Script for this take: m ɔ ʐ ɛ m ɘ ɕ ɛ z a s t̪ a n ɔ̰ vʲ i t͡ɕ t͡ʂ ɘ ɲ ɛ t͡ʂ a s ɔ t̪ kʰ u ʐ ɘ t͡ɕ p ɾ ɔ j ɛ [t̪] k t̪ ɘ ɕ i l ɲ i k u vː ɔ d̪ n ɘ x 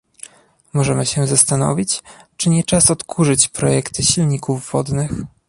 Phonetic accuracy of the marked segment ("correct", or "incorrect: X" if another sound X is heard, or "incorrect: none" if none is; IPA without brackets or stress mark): incorrect: none